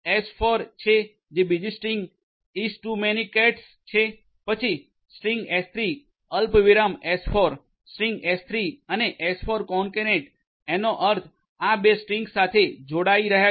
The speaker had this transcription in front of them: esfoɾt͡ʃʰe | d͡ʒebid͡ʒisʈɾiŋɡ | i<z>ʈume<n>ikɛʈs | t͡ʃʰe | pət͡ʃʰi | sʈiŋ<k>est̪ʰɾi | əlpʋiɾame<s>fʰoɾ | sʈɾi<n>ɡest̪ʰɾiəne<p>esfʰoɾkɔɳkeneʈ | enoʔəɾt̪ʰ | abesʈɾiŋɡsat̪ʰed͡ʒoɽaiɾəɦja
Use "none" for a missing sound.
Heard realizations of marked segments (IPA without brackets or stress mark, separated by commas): s, n, ɡ, s, ŋ, ʔ